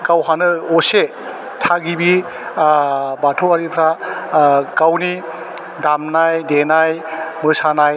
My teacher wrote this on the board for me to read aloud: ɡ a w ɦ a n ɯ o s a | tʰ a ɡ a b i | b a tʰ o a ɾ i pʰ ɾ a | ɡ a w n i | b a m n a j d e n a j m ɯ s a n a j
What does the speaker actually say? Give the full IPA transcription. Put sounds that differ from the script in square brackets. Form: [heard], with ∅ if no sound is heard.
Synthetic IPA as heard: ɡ a w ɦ a n ɯ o s [e] | tʰ a ɡ [i] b i | b a tʰ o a ɾ i pʰ ɾ a | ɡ a w n i | [d] a m n a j d e n a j m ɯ s a n a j